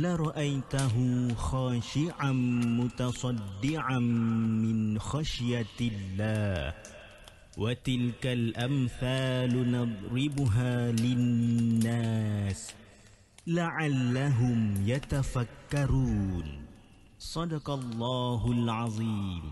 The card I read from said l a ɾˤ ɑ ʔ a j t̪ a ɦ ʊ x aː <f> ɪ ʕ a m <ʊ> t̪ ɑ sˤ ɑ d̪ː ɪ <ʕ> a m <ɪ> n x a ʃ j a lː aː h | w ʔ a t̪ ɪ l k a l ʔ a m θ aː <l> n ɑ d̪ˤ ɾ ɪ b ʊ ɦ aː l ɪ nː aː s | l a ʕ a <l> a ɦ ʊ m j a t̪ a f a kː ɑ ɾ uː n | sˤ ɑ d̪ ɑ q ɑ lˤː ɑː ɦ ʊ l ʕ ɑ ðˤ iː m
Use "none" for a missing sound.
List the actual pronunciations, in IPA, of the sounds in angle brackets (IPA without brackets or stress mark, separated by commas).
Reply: ʃ, ʊ, ʕ, ɪ, l, lː